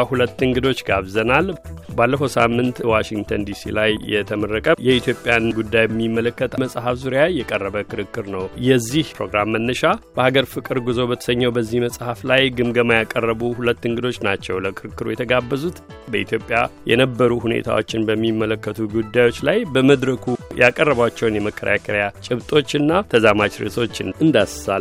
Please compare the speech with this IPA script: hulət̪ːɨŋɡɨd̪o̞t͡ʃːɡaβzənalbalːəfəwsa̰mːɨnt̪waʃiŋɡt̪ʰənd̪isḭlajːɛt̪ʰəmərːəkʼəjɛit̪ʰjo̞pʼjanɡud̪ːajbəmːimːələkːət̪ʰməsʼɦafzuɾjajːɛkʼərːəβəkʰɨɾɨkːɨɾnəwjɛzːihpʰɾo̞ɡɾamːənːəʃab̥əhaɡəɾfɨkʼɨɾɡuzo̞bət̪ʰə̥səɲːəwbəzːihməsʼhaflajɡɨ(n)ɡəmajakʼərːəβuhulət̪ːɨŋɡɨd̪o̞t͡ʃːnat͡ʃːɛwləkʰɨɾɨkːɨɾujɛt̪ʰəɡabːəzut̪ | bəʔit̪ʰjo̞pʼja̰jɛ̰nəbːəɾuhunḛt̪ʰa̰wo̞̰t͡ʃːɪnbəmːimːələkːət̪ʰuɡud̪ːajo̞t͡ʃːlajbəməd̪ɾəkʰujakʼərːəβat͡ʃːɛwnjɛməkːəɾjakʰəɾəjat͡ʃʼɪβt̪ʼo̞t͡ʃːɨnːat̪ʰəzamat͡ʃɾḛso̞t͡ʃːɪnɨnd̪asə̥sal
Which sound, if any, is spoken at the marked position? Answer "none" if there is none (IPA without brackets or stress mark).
m